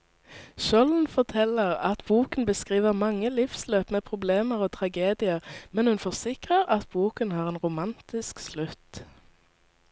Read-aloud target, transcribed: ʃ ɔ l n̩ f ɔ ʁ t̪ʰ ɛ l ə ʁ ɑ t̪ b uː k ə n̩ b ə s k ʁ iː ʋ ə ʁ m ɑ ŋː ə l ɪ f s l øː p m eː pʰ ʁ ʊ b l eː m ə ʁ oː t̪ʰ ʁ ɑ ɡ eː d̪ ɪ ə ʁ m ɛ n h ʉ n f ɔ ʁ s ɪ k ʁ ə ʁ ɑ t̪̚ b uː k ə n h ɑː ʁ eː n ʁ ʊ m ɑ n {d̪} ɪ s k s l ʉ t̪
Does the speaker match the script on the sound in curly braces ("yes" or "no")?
no